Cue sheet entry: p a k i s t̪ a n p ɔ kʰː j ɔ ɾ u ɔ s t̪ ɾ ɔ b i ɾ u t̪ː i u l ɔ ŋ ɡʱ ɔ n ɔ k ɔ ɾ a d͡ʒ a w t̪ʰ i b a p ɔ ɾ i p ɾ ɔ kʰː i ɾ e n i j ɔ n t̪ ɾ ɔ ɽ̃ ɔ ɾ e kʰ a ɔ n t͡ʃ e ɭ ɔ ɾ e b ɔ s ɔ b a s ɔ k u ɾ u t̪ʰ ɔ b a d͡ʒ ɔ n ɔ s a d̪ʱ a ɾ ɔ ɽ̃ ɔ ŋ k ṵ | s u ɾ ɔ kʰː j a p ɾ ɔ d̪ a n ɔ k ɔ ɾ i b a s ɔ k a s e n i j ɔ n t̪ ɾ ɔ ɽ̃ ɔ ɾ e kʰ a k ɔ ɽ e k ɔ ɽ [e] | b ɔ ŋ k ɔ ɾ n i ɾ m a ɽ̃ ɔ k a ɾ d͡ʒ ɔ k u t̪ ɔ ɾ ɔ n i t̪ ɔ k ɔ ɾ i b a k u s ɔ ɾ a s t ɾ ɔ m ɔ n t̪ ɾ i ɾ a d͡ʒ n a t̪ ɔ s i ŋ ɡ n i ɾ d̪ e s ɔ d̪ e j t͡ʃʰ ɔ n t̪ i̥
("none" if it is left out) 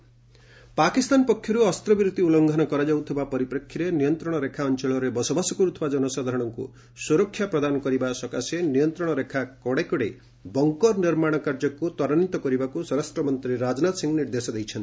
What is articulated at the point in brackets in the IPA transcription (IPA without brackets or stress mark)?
e